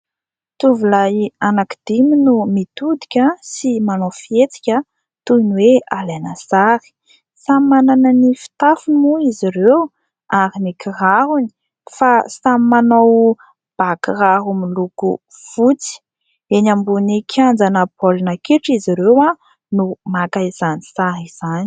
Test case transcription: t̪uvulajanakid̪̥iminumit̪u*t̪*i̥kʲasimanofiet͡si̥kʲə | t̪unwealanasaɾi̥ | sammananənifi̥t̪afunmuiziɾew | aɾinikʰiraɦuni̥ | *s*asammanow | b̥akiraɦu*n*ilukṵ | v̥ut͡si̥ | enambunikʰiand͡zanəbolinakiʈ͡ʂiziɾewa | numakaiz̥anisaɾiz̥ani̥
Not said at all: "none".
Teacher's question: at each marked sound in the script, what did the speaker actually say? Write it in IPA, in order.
d̪, f, m

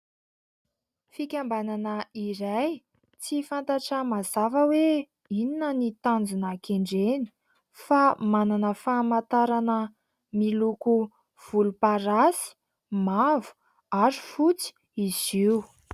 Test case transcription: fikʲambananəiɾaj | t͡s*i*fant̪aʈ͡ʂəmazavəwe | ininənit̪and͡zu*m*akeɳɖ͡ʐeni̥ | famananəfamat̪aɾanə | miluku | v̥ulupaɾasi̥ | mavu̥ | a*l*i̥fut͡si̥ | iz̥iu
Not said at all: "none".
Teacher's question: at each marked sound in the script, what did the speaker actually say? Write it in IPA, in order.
i, n, ɾ

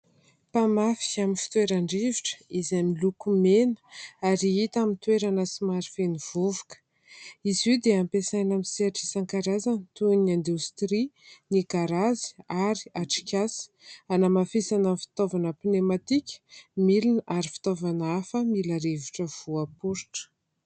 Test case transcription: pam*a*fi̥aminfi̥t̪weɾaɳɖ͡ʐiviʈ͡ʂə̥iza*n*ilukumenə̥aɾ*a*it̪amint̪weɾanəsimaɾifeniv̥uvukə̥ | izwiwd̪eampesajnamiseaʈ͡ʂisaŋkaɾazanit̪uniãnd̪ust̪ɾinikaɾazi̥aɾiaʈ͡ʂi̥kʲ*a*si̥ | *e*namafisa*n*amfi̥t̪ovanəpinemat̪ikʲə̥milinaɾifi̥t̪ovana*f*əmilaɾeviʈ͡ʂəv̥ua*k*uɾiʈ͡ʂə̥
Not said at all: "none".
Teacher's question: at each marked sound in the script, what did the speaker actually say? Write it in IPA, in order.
a, m, i, a, a, n, f, p

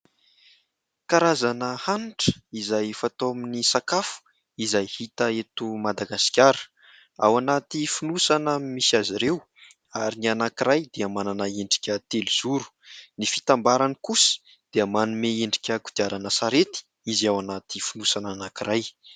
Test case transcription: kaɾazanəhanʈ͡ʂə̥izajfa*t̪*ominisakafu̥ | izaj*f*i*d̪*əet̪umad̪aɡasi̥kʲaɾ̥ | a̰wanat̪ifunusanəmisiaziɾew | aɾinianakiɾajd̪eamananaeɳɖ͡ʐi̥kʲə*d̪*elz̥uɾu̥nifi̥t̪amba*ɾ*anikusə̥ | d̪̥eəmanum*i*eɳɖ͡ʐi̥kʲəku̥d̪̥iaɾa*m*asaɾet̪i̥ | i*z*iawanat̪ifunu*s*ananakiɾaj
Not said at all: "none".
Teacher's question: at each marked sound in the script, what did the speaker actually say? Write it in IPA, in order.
t̪, h, t̪, t̪, ɾ, e, n, z, s

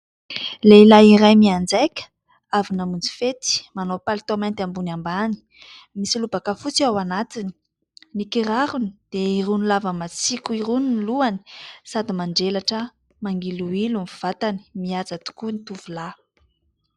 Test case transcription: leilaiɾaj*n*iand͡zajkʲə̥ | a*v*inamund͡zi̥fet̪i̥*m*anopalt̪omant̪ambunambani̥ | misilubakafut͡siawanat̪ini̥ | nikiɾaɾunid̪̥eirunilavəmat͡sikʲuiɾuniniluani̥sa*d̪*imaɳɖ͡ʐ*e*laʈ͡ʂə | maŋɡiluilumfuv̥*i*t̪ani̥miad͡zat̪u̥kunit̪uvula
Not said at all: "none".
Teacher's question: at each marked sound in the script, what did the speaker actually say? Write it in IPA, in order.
m, v, m, d̪, e, a

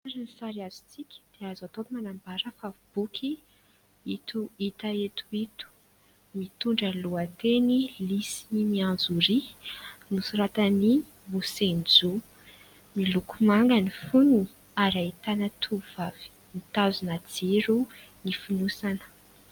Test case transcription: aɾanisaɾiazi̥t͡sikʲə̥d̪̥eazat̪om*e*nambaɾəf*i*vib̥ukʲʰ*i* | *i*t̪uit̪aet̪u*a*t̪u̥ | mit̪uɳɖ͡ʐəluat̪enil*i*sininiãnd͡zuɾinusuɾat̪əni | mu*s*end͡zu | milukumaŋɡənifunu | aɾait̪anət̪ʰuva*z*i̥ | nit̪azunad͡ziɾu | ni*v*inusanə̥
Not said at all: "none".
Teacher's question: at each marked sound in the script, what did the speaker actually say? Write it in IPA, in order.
a, a, i, i, i, i, s, v, f

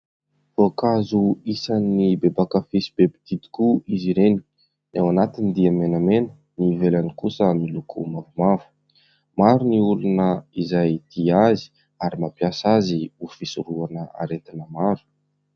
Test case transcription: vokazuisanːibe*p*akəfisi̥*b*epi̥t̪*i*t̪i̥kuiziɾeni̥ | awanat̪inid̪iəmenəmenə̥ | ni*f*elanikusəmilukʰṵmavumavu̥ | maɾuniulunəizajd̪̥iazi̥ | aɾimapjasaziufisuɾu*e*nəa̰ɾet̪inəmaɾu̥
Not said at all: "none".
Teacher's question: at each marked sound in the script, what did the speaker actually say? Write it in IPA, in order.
b, b, i, v, a

